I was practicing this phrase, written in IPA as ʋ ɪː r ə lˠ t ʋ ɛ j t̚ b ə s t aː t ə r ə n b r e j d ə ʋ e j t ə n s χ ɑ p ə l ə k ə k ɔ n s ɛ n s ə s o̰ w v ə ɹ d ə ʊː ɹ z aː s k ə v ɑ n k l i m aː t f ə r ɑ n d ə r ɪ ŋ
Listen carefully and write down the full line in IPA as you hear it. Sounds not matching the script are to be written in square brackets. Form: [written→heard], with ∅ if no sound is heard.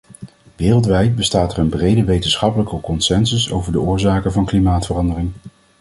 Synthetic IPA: ʋ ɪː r ə lˠ t ʋ ɛ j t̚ b ə s t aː t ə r ə n b r e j d ə ʋ e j t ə n s χ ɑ p ə l ə k ə k ɔ n s ɛ n s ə s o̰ w v ə ɹ d ə ʊː ɹ z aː [s→∅] k ə v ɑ n k l i m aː t f ə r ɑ n d ə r ɪ ŋ